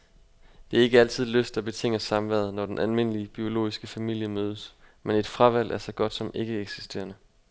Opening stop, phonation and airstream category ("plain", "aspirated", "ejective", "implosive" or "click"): plain